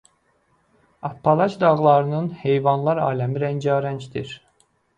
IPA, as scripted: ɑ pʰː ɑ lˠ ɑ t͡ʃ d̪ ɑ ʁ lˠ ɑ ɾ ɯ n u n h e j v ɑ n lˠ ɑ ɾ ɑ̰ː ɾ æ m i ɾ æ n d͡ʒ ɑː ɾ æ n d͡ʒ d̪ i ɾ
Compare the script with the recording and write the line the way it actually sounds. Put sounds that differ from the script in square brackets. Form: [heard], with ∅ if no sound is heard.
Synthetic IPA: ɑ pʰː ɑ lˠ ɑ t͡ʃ d̪ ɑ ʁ lˠ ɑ ɾ ɯ n [ɯ] n h e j v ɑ n lˠ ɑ ɾ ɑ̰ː [l] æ m i ɾ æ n d͡ʒ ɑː ɾ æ n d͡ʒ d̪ i ɾ

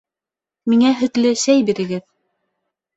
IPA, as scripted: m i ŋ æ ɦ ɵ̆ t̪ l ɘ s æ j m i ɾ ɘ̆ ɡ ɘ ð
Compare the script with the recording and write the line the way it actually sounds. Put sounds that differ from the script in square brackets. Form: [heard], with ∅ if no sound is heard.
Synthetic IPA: m i ŋ æ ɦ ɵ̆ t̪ l ɘ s æ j [b] i ɾ ɘ̆ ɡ ɘ ð

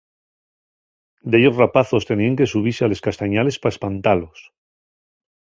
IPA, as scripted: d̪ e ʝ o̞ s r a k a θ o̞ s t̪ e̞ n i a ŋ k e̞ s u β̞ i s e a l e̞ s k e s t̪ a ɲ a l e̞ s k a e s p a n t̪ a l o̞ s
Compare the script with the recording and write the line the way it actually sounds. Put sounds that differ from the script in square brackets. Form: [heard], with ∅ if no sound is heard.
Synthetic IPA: d̪ e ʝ o̞ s r a [p] a θ o̞ s t̪ e̞ n i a ŋ k e̞ s u β̞ i s e a l e̞ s k [a] s t̪ a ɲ a l e̞ s [p] a e s p a n t̪ a l o̞ s

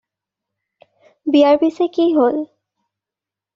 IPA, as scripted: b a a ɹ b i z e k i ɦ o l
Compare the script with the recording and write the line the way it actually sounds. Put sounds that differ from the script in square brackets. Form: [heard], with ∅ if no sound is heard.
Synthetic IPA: b [i] a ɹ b i [s] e k i ɦ o l

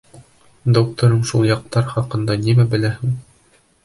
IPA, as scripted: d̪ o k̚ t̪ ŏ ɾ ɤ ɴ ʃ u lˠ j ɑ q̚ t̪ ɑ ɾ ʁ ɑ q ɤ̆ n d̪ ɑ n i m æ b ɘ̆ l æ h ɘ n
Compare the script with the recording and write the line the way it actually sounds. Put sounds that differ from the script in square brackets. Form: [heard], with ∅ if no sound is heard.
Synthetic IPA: d̪ o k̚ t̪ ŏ ɾ ɤ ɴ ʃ u lˠ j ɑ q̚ t̪ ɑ ɾ [χ] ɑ q ɤ̆ n d̪ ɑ n i m æ b ɘ̆ l æ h ɘ [ŋ]

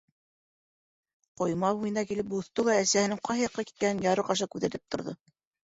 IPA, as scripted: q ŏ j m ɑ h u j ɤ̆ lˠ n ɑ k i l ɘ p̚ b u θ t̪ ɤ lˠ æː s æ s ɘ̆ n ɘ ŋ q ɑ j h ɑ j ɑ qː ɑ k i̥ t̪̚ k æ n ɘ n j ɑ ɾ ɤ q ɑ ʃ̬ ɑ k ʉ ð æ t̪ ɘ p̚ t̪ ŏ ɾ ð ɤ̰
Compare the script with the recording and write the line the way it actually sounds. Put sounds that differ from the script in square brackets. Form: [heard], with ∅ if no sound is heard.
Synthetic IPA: q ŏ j m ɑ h u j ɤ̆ [∅] n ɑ k i l ɘ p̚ b u θ t̪ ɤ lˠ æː s æ [h] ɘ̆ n ɘ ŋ q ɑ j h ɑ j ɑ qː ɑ k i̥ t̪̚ k æ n ɘ n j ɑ ɾ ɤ q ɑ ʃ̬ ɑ k ʉ ð æ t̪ ɘ p̚ t̪ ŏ ɾ ð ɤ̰

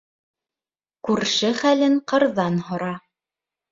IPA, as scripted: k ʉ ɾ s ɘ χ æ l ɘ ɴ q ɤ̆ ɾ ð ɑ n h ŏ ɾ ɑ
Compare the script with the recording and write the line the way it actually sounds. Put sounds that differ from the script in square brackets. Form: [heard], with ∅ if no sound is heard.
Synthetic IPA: k ʉ ɾ [ʃ] ɘ χ æ l ɘ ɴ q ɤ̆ ɾ ð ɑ n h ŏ ɾ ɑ

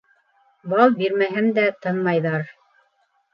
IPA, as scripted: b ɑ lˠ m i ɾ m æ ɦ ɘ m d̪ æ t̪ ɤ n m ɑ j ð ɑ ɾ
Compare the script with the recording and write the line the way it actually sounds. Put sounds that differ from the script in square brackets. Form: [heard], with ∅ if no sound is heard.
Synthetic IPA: b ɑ lˠ [b] i ɾ m æ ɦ ɘ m d̪ æ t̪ ɤ n m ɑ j ð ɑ ɾ

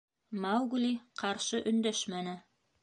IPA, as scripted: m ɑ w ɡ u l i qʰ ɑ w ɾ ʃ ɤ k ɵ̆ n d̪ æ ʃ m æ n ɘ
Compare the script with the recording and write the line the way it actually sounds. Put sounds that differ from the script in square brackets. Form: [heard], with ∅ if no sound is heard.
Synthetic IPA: m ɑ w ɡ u l i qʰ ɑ [∅] ɾ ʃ ɤ [ʔ] ɵ̆ n d̪ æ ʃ m æ n ɘ

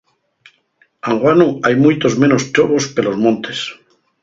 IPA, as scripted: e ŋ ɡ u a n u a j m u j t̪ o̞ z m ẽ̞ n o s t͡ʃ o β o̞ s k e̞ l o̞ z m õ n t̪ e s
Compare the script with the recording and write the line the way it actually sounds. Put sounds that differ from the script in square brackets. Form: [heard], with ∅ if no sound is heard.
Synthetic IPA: [a] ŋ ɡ [w] a n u a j m u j t̪ o̞ z m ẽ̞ n o s t͡ʃ o β o̞ s k e̞ l o̞ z m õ n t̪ e s

